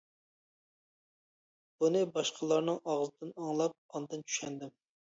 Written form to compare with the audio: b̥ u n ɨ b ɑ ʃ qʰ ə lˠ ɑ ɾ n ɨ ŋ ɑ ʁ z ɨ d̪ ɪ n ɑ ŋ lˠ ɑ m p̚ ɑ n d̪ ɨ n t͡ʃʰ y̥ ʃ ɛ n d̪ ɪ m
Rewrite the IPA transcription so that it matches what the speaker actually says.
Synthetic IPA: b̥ u n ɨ b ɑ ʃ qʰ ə lˠ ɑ ɾ n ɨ ŋ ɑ ʁ z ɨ d̪ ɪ n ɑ ŋ lˠ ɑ p̚ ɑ n d̪ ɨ n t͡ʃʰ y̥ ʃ ɛ n d̪ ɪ m

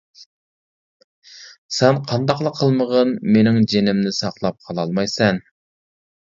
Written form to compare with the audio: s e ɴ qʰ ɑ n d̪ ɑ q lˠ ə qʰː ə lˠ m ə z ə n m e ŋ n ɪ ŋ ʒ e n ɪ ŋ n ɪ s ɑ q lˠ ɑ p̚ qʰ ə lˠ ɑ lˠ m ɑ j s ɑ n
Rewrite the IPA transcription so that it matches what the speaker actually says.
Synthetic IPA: s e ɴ qʰ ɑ n d̪ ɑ q lˠ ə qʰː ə lˠ m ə ʁ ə n m e n ɪ ŋ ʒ e n ɪ m n ɪ s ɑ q lˠ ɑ p̚ qʰ ɑ lˠ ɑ lˠ m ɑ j s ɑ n

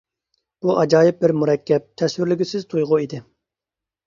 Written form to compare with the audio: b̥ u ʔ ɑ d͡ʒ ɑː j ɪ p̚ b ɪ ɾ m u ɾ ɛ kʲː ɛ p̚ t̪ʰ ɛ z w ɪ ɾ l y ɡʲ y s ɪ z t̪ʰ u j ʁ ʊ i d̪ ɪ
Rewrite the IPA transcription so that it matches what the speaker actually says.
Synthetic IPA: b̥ u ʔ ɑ d͡ʒ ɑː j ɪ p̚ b ɪ ɾ m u ɾ ɛ kʲː ɛ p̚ t̪ʰ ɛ s w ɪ ɾ l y ɡʲ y s ɪ z t̪ʰ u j ʁ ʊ i d̪ ɪ

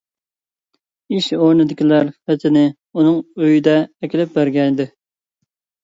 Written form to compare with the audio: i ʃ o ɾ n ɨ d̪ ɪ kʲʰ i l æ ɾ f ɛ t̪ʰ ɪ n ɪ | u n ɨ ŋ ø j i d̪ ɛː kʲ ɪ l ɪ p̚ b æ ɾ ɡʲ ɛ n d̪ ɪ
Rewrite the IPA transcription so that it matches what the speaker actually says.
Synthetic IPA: i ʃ o ɾ n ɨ d̪ ɪ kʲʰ i l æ ɾ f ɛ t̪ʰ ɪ n ɪ | u n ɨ ŋ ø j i d̪ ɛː kʲ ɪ l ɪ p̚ b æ ɾ ɡʲ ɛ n d̪ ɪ

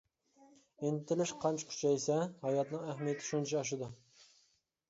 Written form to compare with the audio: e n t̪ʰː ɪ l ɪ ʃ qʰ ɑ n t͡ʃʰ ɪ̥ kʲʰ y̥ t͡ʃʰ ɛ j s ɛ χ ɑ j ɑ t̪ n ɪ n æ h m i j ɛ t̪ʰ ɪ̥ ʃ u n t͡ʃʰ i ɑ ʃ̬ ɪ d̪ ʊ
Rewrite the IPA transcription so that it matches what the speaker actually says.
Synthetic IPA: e n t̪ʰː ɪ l ɪ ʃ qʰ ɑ n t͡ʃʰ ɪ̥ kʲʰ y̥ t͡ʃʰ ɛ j s ɛ h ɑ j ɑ t̪ n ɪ ŋ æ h m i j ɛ t̪ʰ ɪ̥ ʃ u n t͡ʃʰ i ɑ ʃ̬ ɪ d̪ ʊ

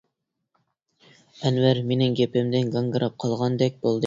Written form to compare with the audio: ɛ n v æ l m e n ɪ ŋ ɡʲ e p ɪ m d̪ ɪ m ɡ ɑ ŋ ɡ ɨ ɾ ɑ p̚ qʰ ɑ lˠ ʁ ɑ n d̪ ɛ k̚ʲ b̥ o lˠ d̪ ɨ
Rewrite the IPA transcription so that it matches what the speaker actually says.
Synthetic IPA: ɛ n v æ ɾ m e n ɪ ŋ ɡʲ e p ɪ m d̪ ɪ n ɡ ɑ ŋ ɡ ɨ ɾ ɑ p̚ qʰ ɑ lˠ ʁ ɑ n d̪ ɛ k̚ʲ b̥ o lˠ d̪ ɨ

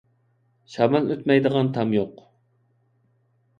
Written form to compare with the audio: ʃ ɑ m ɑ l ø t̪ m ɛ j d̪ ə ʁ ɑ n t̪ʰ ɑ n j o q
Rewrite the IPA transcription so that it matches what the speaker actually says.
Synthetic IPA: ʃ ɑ m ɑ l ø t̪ m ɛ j d̪ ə ʁ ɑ n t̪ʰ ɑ m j o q

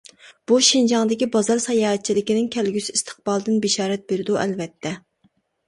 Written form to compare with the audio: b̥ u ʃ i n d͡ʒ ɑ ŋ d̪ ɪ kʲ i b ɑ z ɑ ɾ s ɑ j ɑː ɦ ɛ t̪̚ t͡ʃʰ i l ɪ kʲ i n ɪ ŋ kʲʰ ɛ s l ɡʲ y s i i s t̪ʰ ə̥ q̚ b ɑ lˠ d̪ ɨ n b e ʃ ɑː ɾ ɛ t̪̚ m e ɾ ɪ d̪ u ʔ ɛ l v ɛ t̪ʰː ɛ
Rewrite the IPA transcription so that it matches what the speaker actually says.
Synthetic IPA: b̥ u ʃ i n d͡ʒ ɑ ŋ d̪ ɪ kʲ i b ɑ z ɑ ɾ s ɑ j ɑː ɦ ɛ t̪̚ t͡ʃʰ i l ɪ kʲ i n ɪ ŋ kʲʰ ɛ l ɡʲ y s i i s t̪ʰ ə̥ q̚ b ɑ lˠ d̪ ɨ n b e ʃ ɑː ɾ ɛ t̪̚ b e ɾ ɪ d̪ u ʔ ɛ l v ɛ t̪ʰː ɛ

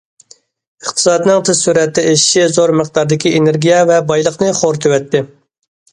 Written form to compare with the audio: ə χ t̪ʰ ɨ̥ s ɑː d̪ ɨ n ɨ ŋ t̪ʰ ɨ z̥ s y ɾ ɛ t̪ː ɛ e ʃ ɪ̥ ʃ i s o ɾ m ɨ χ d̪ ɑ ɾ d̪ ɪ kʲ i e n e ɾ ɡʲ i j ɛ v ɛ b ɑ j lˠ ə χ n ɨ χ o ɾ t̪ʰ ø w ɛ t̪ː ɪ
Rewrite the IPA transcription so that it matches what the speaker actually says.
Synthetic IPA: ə χ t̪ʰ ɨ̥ s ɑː d̪ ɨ n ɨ ŋ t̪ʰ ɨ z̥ s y ɾ ɛ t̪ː ɛ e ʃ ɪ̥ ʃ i z o ɾ m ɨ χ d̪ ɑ ɾ d̪ ɪ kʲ i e n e ɾ ɡʲ i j ɛ v ɛ b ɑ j lˠ ə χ n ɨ χ o ɾ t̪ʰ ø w ɛ t̪ː ɪ

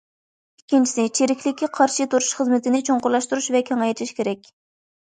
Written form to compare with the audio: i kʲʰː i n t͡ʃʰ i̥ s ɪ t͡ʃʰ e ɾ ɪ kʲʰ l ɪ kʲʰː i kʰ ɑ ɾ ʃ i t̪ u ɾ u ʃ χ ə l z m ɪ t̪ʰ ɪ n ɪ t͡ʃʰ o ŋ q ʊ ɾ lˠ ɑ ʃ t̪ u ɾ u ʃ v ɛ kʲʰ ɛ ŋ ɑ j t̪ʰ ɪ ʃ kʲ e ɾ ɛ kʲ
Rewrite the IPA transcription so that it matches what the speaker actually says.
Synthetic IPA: i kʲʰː i n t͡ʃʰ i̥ s ɪ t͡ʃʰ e ɾ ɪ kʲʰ l ɪ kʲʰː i qʰ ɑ ɾ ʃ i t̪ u ɾ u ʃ χ ə z m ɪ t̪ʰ ɪ n ɪ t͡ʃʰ o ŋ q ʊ ɾ lˠ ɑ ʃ t̪ u ɾ u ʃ v ɛ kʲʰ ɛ ŋ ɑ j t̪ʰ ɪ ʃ kʲ e ɾ ɛ kʲ

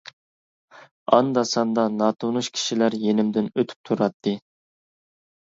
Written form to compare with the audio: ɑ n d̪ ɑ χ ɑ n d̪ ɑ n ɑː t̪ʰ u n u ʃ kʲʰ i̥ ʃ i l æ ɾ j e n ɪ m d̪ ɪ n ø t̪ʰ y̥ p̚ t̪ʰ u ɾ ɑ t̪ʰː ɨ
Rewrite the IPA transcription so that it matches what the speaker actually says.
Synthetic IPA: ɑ n d̪ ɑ s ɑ n d̪ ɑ n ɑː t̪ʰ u n u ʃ kʲʰ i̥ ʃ i l æ ɾ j e n ɪ m d̪ ɪ n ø t̪ʰ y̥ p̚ t̪ʰ u ɾ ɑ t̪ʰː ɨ

